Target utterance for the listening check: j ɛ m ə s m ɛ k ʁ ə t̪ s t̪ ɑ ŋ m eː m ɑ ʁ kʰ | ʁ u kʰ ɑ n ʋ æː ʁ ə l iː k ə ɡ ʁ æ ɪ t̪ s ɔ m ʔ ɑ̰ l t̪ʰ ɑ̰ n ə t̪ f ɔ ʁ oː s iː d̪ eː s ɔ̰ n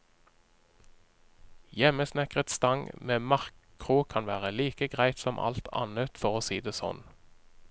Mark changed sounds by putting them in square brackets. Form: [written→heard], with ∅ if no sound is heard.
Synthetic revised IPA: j ɛ m ə s [m→n] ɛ k ʁ ə t̪ s t̪ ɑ ŋ m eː m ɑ ʁ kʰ | ʁ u kʰ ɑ n ʋ æː ʁ ə l iː k ə ɡ ʁ æ ɪ t̪ s ɔ m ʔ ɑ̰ l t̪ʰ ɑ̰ n ə t̪ f ɔ ʁ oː s iː d̪ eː s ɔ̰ n